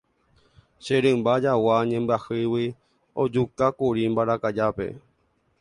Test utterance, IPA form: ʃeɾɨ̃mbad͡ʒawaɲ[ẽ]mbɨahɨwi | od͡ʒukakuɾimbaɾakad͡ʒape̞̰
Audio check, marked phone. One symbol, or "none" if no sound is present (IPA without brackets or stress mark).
ẽ